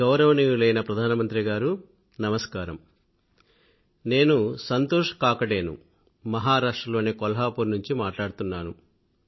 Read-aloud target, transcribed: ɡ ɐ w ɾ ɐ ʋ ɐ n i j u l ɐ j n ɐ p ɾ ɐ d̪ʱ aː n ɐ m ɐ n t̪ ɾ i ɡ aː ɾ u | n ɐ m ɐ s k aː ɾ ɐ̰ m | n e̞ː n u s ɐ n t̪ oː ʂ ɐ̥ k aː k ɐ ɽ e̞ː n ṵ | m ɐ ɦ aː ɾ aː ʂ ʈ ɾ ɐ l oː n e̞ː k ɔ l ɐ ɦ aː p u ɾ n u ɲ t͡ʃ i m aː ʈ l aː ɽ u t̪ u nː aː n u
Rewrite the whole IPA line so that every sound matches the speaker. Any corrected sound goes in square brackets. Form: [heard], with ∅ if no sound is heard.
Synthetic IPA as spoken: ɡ ɐ w ɾ ɐ ʋ ɐ n i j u l ɐ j n ɐ p ɾ ɐ d̪ʱ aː n ɐ m ɐ n t̪ ɾ i ɡ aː ɾ u | n ɐ m ɐ s k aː ɾ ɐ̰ m | n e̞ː n u s ɐ n t̪ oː ʂ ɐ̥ k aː k ɐ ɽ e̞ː n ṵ | m ɐ ɦ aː ɾ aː ʂ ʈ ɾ ɐ l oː n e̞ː k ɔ l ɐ ɦ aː p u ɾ n u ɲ t͡ʃ i m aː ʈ l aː ɽ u t̪ u nː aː n u

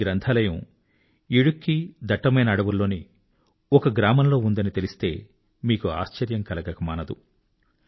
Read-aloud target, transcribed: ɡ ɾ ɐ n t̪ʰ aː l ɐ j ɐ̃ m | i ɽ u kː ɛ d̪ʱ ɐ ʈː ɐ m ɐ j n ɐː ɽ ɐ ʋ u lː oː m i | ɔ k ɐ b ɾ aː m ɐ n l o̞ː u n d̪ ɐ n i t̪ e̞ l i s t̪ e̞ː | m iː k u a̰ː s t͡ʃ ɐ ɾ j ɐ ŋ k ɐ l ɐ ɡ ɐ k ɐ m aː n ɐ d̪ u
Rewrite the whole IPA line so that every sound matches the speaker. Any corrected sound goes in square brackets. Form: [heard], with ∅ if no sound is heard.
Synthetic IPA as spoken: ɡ ɾ ɐ n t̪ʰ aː l ɐ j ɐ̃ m | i ɽ u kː [i] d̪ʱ ɐ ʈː ɐ m ɐ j n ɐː ɽ ɐ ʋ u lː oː [n] i | ɔ k ɐ [ɡ] ɾ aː m ɐ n l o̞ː u n d̪ ɐ n i t̪ e̞ l i s t̪ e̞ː | m iː k u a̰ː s t͡ʃ ɐ ɾ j ɐ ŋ k ɐ l ɐ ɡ ɐ k ɐ m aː n ɐ d̪ u

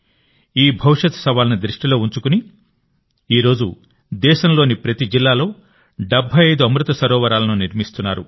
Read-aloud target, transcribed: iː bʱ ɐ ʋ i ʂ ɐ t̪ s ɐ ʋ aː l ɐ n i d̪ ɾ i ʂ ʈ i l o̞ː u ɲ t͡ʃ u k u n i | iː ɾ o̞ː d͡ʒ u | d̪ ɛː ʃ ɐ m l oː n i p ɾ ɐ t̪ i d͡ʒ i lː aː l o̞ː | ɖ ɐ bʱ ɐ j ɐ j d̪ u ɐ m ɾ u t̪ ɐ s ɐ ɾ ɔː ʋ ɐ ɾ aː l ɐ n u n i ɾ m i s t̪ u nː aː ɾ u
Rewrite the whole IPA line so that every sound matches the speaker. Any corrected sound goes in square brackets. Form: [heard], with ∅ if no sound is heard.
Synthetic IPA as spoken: iː bʱ ɐ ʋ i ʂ ɐ t̪ s ɐ ʋ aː l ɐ n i d̪ ɾ i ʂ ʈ i l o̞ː u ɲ t͡ʃ u k u n i | iː ɾ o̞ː d͡ʒ u | d̪ ɛː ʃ ɐ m l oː n i p ɾ ɐ t̪ i d͡ʒ i lː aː l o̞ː | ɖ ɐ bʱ ɐ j ɐ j d̪ u ɐ m ɾ u t̪ ɐ s ɐ ɾ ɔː ʋ ɐ ɾ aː l ɐ n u n i ɾ m i s t̪ u nː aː ɾ u

